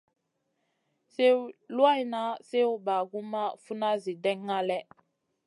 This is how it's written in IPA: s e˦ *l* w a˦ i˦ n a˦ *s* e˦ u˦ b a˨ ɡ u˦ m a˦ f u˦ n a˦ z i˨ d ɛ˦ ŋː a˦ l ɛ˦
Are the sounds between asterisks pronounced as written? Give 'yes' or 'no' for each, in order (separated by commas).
yes, yes